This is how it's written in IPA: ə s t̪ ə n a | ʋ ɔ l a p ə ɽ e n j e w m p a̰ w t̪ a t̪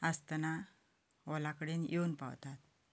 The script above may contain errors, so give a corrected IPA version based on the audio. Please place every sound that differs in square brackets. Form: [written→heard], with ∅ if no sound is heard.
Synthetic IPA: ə s t̪ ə n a | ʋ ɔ l a [p→k] ə ɽ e n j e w [m→n] p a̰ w t̪ a t̪

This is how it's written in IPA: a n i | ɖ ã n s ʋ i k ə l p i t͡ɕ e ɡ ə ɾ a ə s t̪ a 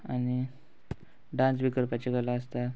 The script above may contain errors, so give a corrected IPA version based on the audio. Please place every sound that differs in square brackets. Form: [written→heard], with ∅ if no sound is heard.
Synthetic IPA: a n i | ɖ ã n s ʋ i k ə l p [i→a] t͡ɕ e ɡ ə [ɾ→l] a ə s t̪ a

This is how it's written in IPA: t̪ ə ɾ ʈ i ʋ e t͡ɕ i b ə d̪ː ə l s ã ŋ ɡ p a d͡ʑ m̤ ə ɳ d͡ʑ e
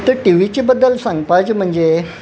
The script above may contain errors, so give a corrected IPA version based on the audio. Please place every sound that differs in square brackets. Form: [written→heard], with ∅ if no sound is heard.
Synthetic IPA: t̪ ə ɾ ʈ i ʋ [e→i] t͡ɕ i b ə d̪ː ə l s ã ŋ ɡ p a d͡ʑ m̤ ə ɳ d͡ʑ e

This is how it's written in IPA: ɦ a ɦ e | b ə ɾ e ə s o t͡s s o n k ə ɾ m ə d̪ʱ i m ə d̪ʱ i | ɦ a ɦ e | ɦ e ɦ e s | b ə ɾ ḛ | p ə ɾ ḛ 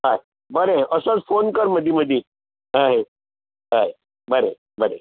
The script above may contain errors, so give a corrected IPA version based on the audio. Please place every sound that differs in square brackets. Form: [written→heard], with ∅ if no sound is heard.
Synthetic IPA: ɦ a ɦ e | b ə ɾ e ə s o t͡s [s→f] o n k ə ɾ m ə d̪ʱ i m ə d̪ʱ i | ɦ a ɦ e | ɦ [e→a] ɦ e [s→∅] | b ə ɾ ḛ | [p→b] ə ɾ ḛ

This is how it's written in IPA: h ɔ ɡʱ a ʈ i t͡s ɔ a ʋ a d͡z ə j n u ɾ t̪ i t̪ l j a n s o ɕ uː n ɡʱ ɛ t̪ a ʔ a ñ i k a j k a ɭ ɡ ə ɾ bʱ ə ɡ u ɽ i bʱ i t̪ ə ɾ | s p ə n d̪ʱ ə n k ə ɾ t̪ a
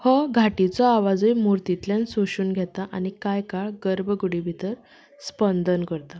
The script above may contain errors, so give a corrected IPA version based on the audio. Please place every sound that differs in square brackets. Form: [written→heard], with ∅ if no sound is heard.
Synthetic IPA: h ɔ ɡʱ a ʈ i t͡s ɔ a ʋ a d͡z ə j [n→m] u ɾ t̪ i t̪ l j a n s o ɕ uː n ɡʱ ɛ t̪ a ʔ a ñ i k a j k a ɭ ɡ ə ɾ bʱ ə ɡ u ɽ i bʱ i t̪ ə ɾ | s p ə n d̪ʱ ə n k ə ɾ t̪ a

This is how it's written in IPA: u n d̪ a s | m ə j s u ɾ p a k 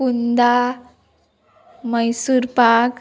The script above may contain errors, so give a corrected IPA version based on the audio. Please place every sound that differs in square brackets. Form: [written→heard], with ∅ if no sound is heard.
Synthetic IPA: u n d̪ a [s→∅] | m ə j s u ɾ p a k

